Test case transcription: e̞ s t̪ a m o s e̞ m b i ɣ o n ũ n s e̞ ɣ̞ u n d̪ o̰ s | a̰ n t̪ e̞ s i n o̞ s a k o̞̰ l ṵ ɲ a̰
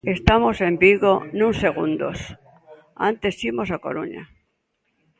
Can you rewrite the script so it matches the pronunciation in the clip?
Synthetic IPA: e̞ s t̪ a m o s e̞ m b i ɣ o n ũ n s e̞ ɣ̞ u n d̪ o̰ s | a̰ n t̪ e̞ s i m o̞ s a k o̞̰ ɾ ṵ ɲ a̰